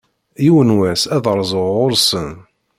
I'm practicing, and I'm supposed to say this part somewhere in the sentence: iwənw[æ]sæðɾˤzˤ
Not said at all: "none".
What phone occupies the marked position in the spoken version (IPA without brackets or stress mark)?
æ